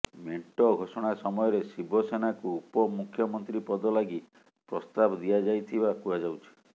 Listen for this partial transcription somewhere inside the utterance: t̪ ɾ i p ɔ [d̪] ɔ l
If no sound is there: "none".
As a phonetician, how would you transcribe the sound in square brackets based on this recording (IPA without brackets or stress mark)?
d̪